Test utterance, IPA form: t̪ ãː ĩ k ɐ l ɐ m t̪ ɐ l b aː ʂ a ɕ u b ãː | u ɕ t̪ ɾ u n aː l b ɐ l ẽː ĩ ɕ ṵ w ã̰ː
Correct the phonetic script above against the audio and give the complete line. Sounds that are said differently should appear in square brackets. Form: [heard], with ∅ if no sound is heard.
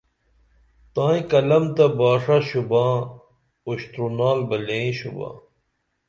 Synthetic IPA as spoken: t̪ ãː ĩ k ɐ l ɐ m t̪ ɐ [∅] b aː ʂ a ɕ u b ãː | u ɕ t̪ ɾ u n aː l b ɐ l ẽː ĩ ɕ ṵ [b] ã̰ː